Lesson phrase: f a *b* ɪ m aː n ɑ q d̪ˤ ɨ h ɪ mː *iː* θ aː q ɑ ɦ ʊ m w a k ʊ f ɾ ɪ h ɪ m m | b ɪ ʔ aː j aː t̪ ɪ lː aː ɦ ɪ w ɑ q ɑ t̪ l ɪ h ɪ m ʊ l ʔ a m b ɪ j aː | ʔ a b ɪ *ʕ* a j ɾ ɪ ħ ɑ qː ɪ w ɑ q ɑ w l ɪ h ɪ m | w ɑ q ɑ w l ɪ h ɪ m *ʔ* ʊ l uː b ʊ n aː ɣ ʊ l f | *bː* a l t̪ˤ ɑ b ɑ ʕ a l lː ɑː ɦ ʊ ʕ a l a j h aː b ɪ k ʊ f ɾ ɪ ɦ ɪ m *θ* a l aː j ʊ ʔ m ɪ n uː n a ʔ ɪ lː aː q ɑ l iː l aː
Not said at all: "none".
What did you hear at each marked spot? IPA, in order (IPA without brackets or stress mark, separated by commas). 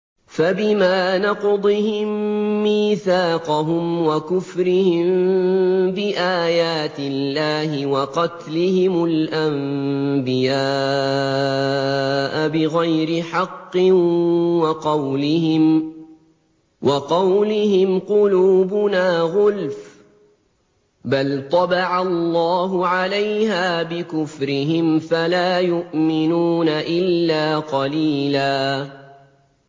b, iː, ɣ, q, b, f